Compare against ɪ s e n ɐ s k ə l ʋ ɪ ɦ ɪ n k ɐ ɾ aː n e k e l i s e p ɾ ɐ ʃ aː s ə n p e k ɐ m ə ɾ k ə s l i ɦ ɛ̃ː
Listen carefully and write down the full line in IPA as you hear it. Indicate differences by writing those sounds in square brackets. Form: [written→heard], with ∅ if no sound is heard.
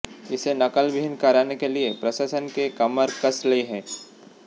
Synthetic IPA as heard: ɪ s e n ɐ [s→∅] k ə l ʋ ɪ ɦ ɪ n k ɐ ɾ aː n e k e l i [s→∅] e p ɾ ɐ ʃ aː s ə n [p→k] e k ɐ m ə ɾ k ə s l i ɦ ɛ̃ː